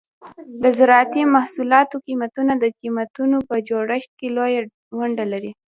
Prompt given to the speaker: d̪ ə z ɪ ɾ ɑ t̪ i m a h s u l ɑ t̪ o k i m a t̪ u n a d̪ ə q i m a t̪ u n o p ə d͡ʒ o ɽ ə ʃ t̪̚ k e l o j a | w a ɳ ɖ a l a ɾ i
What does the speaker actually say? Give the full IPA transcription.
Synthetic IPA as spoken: d̪ ə z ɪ ɾ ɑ t̪ i m a h s u l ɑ t̪ o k i m a t̪ u n a d̪ ə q i m a t̪ u n o p ə d͡ʒ o ɽ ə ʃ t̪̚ k e l o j a | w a ɳ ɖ a l a ɾ i